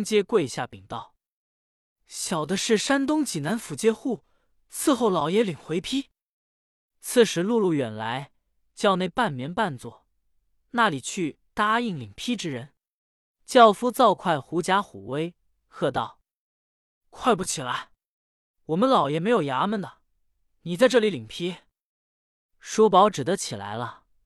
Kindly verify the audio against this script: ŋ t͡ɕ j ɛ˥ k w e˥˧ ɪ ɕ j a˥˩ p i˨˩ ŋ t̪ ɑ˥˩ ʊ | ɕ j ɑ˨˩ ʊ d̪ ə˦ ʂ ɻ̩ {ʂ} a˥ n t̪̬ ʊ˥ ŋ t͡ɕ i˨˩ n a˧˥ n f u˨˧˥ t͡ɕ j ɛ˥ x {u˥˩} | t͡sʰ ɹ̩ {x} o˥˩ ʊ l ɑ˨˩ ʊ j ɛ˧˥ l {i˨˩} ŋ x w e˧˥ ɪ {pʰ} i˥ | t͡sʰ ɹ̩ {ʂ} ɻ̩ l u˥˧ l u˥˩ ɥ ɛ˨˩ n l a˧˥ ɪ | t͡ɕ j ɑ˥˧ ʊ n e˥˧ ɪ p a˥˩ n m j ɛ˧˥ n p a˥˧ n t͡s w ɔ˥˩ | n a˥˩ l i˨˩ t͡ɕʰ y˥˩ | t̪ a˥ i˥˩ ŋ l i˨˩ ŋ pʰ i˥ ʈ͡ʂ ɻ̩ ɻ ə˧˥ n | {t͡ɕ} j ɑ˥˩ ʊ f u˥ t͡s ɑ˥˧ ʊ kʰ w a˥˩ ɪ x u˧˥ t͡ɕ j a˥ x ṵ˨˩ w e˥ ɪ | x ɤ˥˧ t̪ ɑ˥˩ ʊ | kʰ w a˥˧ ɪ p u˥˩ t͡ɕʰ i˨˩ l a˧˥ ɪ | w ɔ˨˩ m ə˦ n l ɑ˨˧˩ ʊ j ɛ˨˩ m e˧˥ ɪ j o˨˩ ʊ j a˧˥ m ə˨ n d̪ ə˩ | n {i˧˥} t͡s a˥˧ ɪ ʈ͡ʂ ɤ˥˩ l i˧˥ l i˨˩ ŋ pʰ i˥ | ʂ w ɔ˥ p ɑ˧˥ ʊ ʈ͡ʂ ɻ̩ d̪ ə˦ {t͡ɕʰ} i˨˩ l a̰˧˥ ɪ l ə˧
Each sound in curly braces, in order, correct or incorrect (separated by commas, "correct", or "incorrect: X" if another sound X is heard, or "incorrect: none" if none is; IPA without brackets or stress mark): correct, correct, correct, correct, correct, correct, correct, incorrect: i˨˩, correct